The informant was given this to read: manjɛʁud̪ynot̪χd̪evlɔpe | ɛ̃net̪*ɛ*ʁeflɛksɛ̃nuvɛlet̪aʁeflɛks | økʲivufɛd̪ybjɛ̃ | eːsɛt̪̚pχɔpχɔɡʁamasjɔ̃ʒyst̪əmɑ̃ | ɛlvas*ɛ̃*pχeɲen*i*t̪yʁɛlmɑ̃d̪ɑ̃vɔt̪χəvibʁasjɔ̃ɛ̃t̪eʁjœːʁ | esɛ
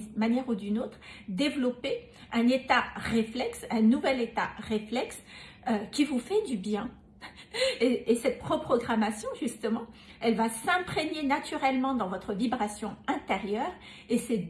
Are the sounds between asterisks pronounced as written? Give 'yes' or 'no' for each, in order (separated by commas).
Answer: no, yes, no